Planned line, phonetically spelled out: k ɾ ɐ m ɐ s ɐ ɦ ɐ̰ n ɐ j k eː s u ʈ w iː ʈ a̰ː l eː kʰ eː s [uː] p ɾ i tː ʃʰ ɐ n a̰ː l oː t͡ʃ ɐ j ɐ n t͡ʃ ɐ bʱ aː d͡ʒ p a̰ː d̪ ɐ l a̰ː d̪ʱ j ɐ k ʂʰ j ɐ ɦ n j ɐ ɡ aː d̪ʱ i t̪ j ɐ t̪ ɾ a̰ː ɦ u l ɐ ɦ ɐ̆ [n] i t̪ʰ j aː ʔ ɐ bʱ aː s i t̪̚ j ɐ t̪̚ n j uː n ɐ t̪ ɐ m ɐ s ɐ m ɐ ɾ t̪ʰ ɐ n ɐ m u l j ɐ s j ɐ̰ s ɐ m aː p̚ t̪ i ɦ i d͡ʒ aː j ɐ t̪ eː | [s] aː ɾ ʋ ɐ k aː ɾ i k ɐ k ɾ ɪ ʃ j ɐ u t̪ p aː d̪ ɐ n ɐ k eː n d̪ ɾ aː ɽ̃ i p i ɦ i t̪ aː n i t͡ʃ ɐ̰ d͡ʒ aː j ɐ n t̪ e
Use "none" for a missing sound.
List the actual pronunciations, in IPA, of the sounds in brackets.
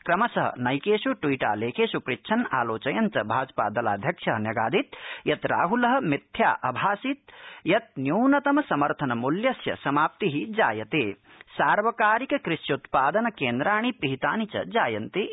u, m, s

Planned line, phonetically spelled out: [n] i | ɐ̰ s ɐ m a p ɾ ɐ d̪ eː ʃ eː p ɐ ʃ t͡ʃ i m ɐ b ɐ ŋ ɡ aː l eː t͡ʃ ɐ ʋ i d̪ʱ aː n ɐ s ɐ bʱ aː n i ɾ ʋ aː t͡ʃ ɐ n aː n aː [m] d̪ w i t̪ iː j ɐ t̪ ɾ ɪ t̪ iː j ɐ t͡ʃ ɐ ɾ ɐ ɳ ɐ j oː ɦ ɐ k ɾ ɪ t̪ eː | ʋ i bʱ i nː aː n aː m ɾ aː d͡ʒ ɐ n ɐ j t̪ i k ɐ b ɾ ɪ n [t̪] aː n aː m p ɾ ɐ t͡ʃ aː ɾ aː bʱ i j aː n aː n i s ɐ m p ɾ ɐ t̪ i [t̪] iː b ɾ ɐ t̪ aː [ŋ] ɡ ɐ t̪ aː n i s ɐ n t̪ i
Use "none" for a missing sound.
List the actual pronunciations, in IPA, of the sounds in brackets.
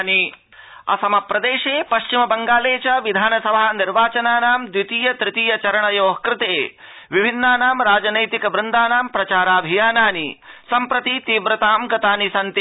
n, m, d̪, t̪, m

